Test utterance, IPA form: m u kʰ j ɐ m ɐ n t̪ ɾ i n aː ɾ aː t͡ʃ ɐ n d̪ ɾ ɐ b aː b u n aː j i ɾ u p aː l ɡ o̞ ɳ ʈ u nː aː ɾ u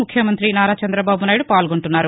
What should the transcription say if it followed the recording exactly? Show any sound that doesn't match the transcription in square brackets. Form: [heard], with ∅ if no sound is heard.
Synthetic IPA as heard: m u kʰ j ɐ m ɐ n t̪ ɾ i n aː ɾ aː t͡ʃ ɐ n d̪ ɾ ɐ b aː b u n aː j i [ɽ] u p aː l ɡ o̞ ɳ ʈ u nː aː ɾ u